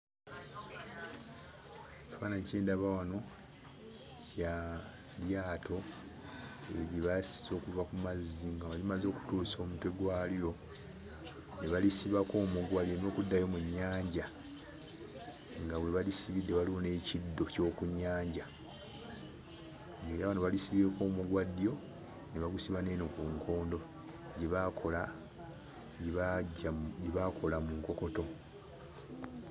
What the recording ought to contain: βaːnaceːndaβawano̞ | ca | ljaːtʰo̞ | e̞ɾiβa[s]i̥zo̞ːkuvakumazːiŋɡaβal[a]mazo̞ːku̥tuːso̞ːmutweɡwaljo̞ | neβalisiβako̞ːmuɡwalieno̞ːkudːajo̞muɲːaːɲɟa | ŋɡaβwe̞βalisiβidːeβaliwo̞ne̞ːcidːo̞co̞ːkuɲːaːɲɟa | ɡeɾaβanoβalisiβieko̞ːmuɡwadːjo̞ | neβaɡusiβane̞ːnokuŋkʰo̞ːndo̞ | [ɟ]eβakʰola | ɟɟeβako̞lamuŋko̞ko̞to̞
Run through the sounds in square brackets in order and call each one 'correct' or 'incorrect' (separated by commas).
correct, incorrect, correct